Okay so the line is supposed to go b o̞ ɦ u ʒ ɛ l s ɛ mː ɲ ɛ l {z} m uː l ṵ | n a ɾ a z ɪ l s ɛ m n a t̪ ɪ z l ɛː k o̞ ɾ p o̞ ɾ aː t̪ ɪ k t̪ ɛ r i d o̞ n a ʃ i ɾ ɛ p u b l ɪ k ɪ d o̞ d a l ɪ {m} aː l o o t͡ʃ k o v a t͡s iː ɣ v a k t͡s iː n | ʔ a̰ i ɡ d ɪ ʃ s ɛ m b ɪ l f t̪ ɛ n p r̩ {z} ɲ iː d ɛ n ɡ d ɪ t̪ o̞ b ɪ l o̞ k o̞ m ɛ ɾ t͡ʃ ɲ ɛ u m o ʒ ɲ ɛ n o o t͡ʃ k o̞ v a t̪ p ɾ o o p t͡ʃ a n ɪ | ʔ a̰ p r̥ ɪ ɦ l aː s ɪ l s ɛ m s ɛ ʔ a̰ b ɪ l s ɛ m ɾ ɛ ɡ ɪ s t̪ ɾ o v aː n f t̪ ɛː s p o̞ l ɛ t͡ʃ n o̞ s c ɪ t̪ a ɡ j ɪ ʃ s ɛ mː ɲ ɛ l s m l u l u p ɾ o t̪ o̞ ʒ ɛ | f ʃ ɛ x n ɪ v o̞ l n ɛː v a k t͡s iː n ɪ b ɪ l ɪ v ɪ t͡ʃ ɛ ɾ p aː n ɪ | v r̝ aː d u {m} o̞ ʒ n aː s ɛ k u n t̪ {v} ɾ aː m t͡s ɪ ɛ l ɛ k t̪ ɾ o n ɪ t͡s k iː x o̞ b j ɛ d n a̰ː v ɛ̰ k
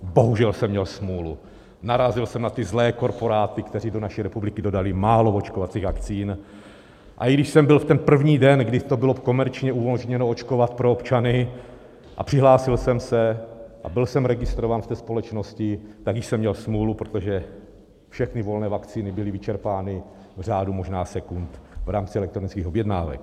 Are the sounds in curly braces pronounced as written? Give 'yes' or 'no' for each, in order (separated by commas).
no, yes, no, yes, yes